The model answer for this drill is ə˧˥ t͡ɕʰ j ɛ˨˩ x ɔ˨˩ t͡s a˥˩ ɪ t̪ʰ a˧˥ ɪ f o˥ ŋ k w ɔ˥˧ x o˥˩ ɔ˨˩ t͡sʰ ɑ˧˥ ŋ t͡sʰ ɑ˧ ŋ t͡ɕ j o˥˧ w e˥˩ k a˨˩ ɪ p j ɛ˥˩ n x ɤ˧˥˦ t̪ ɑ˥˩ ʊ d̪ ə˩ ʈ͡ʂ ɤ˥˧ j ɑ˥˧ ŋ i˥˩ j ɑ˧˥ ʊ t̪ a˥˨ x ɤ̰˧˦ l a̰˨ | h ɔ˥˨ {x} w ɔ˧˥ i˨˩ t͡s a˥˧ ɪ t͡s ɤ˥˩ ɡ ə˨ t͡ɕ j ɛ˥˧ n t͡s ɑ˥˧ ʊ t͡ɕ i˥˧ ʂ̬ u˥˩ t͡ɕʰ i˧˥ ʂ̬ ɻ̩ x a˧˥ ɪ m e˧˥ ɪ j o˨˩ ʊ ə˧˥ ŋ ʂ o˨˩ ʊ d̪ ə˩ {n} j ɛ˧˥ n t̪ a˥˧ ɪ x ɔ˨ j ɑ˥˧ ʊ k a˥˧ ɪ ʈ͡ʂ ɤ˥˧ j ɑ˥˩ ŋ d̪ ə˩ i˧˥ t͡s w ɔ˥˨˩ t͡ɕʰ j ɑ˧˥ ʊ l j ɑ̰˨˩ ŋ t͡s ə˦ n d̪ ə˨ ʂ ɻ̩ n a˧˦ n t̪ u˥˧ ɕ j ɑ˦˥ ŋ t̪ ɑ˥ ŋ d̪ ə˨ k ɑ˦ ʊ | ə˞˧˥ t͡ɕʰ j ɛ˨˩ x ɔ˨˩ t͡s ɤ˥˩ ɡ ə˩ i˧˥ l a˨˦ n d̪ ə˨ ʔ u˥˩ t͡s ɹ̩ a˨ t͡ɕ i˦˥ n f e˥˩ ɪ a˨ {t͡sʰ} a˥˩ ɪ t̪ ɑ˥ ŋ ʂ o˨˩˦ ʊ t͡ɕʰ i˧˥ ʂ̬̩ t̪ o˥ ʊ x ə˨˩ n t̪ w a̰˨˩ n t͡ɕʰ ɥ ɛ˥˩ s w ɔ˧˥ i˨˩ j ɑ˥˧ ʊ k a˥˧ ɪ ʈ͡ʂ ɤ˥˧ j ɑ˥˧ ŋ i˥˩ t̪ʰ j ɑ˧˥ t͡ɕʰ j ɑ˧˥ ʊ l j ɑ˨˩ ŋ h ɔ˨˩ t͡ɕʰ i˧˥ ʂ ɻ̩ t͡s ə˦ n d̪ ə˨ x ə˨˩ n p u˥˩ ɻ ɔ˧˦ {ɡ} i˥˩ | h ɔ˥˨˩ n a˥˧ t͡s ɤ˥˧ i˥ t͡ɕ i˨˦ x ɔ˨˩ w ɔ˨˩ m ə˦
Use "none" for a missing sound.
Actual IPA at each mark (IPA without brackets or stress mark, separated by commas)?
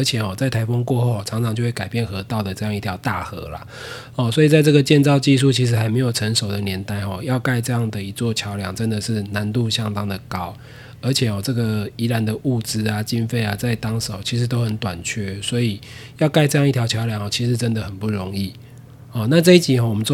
s, n, t͡s, ŋ